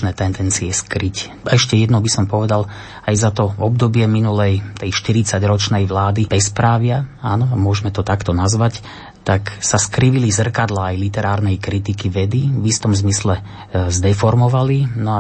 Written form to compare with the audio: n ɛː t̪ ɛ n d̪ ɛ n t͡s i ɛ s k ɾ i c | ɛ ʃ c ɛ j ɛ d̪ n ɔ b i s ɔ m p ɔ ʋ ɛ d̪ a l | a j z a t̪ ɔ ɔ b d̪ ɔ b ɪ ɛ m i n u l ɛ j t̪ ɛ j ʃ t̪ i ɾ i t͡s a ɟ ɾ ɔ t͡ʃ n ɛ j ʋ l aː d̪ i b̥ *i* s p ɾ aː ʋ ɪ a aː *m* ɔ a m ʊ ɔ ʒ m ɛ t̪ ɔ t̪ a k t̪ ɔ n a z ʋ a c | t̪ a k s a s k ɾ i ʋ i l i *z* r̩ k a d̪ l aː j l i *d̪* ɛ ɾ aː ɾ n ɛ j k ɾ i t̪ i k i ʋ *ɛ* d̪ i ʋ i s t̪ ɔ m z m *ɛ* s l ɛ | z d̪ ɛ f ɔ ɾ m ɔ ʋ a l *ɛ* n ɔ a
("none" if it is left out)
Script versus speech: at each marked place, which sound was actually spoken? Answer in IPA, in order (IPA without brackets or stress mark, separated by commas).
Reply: ɛ, n, z, t̪, ɛ, i, i